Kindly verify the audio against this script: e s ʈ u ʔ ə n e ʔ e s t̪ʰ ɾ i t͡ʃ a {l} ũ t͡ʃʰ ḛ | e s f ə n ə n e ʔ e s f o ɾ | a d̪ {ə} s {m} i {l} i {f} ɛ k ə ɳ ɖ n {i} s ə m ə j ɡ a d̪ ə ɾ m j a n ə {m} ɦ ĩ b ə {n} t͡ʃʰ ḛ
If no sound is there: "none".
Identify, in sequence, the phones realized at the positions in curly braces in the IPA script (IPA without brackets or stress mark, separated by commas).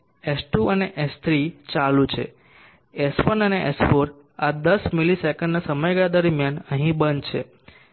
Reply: l, ə, m, l, s, a, none, n